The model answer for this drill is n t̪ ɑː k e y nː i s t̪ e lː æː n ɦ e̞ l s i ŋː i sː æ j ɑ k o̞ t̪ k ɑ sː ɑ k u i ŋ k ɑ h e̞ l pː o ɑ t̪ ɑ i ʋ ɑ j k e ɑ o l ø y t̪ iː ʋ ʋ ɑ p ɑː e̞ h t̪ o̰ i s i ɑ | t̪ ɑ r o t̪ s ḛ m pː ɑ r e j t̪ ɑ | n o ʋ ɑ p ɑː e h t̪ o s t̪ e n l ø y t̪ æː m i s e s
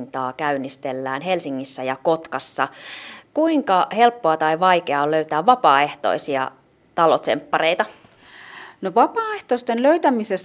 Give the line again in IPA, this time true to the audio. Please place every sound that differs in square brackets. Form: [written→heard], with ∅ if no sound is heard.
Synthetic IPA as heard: n t̪ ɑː k [e→æ] y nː i s t̪ e lː æː n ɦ e̞ l s i ŋː i sː æ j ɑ k o̞ t̪ k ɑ sː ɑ k u i ŋ k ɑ h e̞ l pː o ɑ t̪ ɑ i ʋ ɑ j k e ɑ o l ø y t̪ [iː→æː] ʋ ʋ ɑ p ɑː e̞ h t̪ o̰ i s i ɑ | t̪ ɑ [r→l] o t̪ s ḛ m pː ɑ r e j t̪ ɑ | n o ʋ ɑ p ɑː e h t̪ o s t̪ e n l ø y t̪ [æː→æ] m i s e s